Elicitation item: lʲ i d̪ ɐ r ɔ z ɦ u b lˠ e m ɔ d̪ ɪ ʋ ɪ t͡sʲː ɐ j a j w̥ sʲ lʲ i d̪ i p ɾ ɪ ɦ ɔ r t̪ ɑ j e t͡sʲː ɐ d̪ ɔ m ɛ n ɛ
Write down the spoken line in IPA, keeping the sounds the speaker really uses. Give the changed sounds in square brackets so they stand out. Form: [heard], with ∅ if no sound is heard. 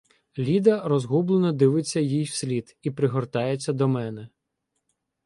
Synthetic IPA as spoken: lʲ i d̪ ɐ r ɔ z ɦ u b lˠ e [n] ɔ d̪ ɪ ʋ ɪ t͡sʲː ɐ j [i] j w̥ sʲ lʲ i d̪ i p ɾ ɪ ɦ ɔ r t̪ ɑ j e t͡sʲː ɐ d̪ ɔ m ɛ n ɛ